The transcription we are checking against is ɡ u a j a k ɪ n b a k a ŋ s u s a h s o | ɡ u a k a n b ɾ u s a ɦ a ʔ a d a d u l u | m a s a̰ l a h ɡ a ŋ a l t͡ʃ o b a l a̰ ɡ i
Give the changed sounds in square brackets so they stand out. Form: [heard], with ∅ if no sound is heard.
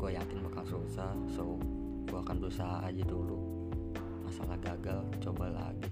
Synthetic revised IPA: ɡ u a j a k ɪ n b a k a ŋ s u s a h s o | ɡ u a k a n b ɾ u s a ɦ a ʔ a [d͡ʒ] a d u l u | m a s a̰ l a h ɡ a [ɡ] a l t͡ʃ o b a l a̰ ɡ i